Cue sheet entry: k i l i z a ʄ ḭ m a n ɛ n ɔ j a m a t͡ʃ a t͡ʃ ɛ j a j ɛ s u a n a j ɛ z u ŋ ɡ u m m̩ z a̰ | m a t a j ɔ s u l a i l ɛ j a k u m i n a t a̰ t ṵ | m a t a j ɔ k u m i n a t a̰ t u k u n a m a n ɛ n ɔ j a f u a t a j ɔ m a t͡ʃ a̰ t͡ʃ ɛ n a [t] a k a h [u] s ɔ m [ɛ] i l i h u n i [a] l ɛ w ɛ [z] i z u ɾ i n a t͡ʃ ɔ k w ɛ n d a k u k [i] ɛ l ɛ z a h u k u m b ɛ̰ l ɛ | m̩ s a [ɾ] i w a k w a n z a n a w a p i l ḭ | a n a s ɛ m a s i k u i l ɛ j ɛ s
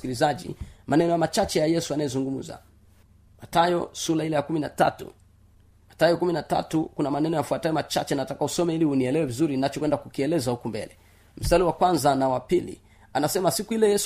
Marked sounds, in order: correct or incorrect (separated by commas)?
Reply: correct, correct, correct, incorrect, incorrect, correct, incorrect